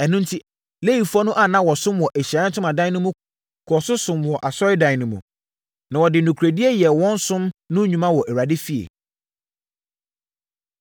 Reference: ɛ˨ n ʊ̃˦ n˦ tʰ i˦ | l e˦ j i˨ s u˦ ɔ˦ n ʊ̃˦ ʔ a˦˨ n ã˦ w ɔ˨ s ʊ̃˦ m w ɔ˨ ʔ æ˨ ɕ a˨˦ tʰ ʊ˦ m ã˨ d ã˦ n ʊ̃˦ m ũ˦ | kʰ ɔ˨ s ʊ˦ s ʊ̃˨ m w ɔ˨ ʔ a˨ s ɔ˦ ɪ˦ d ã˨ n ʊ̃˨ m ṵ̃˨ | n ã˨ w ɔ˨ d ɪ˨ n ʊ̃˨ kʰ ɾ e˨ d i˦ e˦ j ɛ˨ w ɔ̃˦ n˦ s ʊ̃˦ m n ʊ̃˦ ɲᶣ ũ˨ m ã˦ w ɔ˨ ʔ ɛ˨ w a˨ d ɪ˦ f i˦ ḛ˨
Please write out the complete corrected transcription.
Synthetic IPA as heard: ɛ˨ n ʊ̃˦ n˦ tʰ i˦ | l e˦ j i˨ f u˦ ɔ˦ n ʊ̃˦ ʔ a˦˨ n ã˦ w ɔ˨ s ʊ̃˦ m w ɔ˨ ʔ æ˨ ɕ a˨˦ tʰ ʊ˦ m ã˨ d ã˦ n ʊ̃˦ m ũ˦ | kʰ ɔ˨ s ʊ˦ s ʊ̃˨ m w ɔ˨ ʔ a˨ s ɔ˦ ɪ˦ d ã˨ n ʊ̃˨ m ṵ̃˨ | n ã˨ w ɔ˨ d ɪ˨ n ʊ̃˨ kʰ ɾ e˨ d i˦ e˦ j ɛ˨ w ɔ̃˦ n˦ s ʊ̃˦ m n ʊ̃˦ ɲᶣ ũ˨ m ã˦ w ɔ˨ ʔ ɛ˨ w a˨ d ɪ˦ f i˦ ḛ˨